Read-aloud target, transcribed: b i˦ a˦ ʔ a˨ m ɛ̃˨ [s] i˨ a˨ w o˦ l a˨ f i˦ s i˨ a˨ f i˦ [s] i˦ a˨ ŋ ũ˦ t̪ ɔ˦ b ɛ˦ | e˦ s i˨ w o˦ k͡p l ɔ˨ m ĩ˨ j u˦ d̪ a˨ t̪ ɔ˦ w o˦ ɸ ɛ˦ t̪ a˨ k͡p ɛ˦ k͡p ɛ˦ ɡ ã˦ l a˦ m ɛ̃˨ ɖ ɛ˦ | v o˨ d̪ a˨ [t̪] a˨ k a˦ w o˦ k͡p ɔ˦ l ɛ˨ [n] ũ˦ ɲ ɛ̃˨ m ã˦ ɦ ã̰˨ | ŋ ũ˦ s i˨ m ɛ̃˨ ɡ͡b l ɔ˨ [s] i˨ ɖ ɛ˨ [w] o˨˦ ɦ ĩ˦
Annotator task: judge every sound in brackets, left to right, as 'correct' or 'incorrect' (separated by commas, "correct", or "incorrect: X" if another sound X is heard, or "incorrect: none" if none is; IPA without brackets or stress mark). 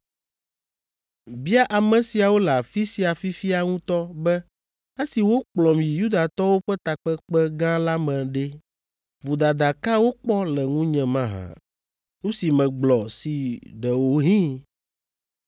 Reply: correct, incorrect: f, incorrect: d̪, incorrect: ŋ, correct, correct